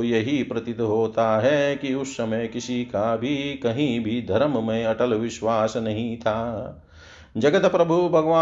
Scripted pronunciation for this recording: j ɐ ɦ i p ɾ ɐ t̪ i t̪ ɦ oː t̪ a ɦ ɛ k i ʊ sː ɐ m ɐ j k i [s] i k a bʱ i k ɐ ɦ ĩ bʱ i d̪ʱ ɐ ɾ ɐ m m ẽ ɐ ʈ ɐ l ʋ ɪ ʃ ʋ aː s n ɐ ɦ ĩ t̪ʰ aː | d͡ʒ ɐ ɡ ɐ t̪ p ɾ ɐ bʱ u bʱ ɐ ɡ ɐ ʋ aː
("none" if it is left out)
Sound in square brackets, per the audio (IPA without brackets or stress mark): s